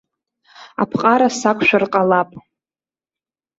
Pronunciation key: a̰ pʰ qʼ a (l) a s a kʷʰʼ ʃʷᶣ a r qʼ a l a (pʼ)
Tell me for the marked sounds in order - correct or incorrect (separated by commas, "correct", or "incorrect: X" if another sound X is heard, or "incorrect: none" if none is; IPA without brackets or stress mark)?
incorrect: ɾ, correct